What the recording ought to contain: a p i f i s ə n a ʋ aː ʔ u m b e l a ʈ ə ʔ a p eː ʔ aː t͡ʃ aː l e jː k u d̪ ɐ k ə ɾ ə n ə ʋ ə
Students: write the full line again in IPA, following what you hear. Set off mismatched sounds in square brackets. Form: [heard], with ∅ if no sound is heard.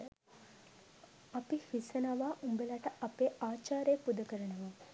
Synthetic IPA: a p i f i s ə n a ʋ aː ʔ u m b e l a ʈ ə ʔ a p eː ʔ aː t͡ʃ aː [ɾ] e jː [p] u d̪ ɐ k ə ɾ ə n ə ʋ [a]